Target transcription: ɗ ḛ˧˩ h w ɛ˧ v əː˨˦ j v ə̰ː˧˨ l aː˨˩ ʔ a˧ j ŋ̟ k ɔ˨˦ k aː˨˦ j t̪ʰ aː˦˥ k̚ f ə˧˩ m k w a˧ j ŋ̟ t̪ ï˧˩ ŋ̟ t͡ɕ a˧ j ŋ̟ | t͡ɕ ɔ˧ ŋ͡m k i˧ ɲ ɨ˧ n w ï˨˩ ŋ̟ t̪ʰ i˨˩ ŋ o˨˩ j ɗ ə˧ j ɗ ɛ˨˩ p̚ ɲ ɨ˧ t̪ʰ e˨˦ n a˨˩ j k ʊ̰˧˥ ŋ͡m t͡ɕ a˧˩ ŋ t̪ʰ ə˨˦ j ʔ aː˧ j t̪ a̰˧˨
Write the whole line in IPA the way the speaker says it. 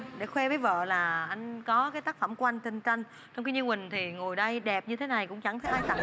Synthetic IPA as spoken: ɗ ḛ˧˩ x w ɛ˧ v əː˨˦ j v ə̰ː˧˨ l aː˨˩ ʔ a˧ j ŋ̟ k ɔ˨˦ k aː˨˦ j t̪ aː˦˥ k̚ f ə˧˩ m k w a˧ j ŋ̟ t̪ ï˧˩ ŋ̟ t͡ɕ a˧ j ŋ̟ | t͡ɕ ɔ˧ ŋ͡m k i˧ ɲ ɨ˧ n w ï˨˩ ŋ̟ t̪ʰ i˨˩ ŋ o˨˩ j ɗ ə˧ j ɗ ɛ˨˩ p̚ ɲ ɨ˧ t̪ʰ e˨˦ n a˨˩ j k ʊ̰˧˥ ŋ͡m t͡ɕ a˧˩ ŋ t̪ʰ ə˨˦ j ʔ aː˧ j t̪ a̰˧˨